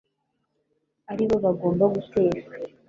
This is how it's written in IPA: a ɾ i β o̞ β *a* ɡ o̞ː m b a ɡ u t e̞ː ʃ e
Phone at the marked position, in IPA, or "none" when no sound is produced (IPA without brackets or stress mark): a